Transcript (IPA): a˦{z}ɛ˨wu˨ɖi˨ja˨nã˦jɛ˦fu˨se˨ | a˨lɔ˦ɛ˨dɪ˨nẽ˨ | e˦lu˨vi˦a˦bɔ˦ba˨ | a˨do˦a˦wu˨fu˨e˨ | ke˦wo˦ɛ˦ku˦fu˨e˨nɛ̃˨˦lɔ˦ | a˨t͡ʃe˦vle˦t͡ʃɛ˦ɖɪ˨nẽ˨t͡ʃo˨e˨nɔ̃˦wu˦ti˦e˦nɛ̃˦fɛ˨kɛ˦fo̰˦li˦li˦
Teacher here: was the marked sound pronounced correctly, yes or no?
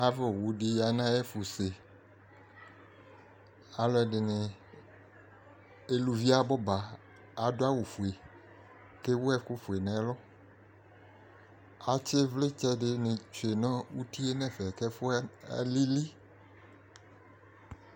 no